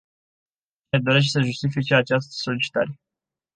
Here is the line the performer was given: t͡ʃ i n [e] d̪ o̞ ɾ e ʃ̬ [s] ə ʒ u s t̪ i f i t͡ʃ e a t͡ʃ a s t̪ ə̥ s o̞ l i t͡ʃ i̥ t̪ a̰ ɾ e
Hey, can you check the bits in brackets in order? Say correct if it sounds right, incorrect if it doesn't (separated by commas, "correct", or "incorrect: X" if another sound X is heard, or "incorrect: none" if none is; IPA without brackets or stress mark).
correct, correct